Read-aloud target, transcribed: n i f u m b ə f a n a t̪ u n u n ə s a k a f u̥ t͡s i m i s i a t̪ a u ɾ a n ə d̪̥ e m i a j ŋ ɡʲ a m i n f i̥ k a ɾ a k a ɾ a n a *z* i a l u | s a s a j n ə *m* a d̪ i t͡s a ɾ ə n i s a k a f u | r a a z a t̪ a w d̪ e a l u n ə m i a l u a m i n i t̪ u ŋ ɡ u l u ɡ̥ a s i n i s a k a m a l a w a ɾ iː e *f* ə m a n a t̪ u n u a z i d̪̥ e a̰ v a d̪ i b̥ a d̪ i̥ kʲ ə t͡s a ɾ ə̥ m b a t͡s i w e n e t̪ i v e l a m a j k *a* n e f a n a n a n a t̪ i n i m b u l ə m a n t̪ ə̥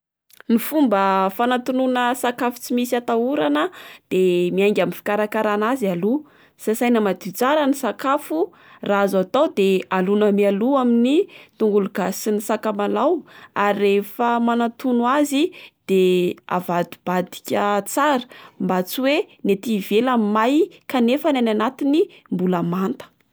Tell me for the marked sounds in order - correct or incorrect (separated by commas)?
correct, correct, correct, correct